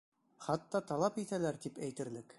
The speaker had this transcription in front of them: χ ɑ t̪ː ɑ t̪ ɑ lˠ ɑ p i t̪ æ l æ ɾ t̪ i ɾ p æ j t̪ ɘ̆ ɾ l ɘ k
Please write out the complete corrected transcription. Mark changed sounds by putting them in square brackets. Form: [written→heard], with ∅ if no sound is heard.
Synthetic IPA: χ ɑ t̪ː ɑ t̪ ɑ lˠ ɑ p i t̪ æ l æ ɾ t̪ i [ɾ→∅] p æ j t̪ ɘ̆ ɾ l ɘ k